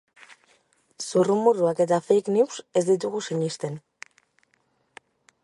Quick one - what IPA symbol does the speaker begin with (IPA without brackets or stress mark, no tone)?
s